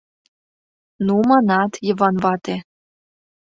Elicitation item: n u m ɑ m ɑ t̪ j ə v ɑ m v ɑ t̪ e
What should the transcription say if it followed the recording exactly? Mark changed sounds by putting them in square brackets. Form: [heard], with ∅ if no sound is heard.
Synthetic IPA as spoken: n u m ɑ [n] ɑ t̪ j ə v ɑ [n] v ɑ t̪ e